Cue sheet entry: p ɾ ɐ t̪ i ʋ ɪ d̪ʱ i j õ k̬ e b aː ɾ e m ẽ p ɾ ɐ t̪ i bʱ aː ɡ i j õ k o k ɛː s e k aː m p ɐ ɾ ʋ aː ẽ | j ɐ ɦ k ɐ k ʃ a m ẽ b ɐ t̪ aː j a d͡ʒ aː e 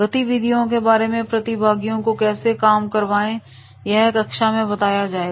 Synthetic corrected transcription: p ɾ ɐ t̪ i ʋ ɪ d̪ʱ i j õ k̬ e b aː ɾ e m ẽ p ɾ ɐ t̪ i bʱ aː ɡ i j õ k o k ɛː s e k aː m k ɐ ɾ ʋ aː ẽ | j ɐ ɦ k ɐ k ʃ a m ẽ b ɐ t̪ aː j a d͡ʒ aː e